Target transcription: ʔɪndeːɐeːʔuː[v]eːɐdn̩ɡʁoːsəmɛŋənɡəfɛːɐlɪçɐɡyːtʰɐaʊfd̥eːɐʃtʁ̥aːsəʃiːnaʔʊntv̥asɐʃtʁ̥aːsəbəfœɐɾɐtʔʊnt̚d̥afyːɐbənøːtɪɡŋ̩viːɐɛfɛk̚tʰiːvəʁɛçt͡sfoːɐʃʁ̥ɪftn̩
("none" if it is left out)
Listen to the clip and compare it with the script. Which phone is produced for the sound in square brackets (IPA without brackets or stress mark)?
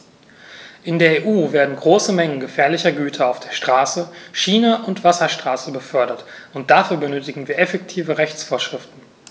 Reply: v